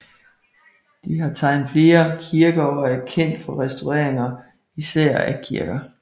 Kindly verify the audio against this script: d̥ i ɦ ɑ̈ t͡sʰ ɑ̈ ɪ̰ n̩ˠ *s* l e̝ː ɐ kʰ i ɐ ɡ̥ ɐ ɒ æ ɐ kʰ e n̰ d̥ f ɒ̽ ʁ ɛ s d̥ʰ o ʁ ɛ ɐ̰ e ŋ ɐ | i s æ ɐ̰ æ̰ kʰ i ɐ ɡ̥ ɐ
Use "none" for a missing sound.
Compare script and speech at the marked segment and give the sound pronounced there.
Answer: f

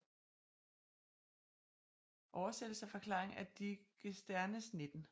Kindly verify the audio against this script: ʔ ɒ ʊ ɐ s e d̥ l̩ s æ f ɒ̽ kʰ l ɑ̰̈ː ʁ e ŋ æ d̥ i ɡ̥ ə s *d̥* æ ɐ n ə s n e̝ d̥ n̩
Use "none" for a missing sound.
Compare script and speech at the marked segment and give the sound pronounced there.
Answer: d̥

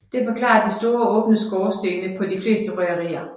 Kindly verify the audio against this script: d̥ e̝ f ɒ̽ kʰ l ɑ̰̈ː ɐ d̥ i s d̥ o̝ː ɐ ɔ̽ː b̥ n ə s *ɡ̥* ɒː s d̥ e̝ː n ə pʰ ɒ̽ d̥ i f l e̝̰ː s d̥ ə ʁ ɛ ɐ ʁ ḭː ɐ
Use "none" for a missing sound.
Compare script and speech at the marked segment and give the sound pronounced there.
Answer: ɡ̥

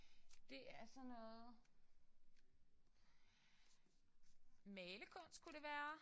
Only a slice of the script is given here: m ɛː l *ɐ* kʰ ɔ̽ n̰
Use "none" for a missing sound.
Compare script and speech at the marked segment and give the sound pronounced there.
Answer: ə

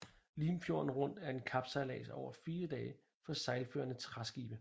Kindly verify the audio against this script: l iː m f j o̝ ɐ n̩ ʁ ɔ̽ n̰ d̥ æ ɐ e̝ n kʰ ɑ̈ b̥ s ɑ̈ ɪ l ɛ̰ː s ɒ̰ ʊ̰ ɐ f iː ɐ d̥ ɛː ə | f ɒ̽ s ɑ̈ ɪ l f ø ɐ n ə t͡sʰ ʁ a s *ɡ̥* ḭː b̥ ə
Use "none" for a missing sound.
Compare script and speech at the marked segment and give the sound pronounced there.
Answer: ɡ̥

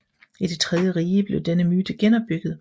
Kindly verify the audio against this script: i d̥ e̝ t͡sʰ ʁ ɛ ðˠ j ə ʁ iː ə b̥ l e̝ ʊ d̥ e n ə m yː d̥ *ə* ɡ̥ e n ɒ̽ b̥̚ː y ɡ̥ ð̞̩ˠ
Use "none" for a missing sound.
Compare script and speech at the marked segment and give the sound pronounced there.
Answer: ə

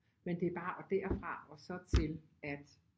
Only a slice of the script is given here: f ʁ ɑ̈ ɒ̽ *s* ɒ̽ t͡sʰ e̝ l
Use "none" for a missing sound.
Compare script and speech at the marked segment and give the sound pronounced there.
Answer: s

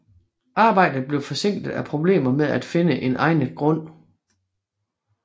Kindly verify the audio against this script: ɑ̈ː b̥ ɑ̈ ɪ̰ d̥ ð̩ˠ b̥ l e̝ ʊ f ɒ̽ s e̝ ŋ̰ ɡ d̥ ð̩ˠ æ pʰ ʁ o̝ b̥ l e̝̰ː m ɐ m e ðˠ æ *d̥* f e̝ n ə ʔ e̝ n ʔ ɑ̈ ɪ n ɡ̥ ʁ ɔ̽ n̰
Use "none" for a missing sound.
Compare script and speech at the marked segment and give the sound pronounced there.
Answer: d̥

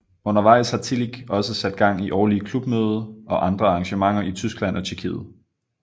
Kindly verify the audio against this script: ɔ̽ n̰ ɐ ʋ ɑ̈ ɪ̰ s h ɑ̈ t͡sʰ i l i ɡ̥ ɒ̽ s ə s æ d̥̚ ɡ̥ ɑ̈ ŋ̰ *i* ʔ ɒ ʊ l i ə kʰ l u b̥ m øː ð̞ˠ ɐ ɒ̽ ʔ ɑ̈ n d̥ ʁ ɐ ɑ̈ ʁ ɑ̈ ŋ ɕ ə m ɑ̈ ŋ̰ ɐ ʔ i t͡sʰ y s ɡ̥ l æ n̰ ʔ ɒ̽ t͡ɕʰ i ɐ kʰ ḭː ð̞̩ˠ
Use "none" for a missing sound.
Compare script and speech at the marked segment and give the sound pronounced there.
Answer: i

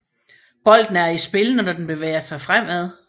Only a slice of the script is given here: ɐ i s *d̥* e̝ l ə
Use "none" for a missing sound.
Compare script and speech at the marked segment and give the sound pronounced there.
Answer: b̥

